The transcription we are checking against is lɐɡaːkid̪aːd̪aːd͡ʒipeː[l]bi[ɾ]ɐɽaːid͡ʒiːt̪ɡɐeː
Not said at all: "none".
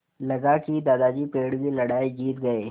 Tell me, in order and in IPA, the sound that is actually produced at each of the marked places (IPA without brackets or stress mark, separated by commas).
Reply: ɽ, l